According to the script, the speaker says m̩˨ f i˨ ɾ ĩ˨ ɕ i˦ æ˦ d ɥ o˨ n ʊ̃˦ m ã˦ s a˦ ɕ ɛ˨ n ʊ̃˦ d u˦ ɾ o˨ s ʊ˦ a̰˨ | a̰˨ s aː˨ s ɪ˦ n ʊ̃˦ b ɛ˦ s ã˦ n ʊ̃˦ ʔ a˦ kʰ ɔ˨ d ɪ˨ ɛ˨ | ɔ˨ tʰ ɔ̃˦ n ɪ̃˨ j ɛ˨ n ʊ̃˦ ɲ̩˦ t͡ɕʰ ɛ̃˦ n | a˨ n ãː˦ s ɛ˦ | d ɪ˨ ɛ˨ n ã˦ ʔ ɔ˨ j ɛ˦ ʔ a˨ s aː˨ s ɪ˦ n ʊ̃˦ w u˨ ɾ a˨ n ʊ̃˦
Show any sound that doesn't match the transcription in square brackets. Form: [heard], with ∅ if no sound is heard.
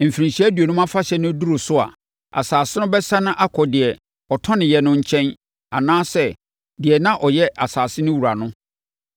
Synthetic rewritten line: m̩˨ f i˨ ɾ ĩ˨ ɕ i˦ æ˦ d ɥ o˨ n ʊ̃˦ m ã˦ [f] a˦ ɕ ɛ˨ n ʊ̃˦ d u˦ ɾ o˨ s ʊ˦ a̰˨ | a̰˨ s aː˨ s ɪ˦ n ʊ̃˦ b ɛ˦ s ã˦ n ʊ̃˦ ʔ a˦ kʰ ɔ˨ d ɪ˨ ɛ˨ | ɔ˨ tʰ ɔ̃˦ n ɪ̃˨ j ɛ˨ n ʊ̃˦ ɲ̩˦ t͡ɕʰ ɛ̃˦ n | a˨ n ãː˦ s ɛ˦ | d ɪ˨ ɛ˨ n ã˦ ʔ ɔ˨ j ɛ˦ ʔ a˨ s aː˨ s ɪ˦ n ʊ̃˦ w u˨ ɾ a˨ n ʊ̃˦